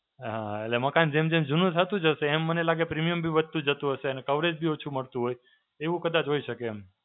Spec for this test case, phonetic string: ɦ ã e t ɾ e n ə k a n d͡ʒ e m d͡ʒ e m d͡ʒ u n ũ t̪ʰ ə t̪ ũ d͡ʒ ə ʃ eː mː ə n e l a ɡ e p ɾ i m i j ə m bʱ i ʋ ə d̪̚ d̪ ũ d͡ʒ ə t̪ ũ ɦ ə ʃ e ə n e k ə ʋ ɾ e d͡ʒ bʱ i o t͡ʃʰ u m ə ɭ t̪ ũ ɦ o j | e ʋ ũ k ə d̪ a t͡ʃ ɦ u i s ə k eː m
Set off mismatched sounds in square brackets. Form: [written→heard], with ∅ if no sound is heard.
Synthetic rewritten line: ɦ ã e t [ɾ→l] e [n→m] ə k a n d͡ʒ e m d͡ʒ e m d͡ʒ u n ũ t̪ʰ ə t̪ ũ d͡ʒ ə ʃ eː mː ə n e l a ɡ e p ɾ i m i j ə m bʱ i ʋ ə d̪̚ [d̪→t̪] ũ d͡ʒ ə t̪ ũ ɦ ə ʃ e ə n e k ə ʋ ɾ e d͡ʒ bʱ i o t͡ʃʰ u m ə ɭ t̪ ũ ɦ o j | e ʋ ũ k ə d̪ a t͡ʃ ɦ [u→o] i [s→ʃ] ə k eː m